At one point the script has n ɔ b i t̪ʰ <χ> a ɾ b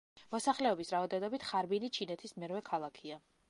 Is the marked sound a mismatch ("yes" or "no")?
no